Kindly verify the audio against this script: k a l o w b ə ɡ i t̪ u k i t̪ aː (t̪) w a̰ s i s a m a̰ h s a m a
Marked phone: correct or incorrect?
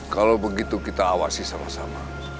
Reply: incorrect